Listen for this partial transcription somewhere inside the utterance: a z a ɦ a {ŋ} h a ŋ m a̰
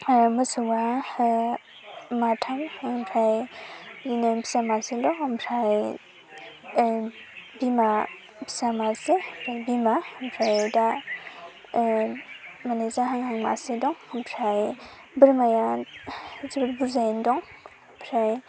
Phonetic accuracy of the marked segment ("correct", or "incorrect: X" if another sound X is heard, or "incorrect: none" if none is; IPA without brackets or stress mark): correct